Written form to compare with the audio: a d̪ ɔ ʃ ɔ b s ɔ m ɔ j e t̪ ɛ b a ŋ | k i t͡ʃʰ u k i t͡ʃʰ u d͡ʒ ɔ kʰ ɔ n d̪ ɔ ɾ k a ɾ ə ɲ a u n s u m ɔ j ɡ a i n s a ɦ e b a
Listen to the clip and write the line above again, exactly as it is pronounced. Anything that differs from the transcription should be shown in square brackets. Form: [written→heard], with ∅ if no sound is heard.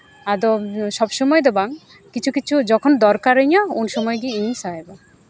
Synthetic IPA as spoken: a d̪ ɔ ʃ ɔ b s ɔ m ɔ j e [t̪→d̪] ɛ b a ŋ | k i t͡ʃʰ u k i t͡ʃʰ u d͡ʒ ɔ kʰ ɔ n d̪ ɔ ɾ k a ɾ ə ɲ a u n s [u→ɔ] m ɔ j ɡ [a→i] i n s a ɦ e b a